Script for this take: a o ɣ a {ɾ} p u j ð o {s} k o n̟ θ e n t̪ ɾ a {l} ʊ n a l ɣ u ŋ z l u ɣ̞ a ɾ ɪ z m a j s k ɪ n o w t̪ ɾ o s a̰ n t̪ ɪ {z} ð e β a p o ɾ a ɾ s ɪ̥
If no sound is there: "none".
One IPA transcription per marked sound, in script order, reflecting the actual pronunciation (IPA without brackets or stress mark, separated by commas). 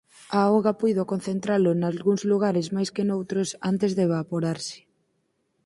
none, none, l, z